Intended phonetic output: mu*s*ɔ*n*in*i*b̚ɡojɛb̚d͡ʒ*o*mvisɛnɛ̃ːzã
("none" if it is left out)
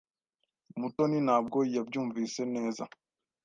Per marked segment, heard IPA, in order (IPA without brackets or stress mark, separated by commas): t, n, a, u